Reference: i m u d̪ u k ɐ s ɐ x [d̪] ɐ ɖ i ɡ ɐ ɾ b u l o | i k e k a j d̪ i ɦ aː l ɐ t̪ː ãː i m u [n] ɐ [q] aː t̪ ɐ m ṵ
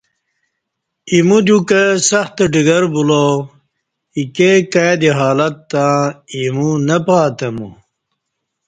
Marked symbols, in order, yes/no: no, yes, no

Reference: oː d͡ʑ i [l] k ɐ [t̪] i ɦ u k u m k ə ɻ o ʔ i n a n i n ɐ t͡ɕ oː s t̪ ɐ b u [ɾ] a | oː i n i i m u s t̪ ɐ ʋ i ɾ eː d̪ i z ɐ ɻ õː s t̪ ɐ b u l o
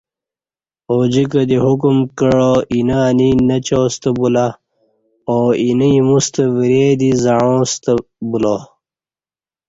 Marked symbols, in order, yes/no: no, no, no

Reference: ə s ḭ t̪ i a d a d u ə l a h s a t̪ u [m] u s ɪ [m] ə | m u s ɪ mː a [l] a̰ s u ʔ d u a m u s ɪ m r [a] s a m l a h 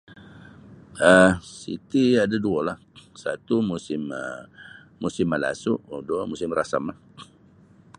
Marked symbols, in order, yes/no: yes, yes, yes, yes

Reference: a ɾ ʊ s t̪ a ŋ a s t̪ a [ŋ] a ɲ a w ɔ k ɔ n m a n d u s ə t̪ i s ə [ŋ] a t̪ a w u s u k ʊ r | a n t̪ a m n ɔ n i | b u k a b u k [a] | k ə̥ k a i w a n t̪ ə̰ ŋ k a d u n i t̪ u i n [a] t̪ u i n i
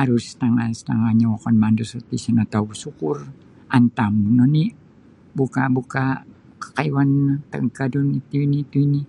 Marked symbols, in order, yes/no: yes, no, yes, no

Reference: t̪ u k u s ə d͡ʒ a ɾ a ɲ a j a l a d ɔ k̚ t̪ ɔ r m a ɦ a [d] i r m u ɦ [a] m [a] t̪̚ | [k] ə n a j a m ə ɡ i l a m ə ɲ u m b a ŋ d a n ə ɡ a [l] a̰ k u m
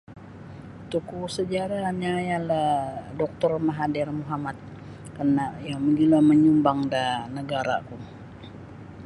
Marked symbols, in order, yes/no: yes, yes, yes, yes, no

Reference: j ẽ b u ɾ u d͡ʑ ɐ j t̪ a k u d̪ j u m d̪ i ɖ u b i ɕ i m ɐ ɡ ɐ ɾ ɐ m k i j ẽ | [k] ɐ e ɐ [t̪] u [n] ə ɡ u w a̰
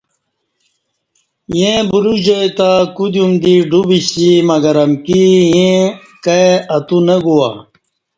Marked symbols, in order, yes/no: yes, yes, yes

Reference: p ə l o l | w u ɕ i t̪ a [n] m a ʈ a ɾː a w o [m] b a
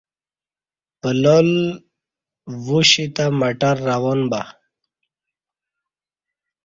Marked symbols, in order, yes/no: no, no

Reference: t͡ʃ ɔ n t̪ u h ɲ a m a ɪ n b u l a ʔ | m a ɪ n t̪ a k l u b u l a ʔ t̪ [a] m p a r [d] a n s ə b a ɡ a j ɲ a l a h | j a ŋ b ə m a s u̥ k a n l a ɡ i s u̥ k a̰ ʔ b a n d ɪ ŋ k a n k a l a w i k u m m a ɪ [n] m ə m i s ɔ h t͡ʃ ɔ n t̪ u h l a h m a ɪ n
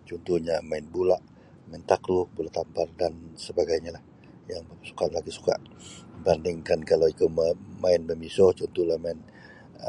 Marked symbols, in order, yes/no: yes, yes, yes

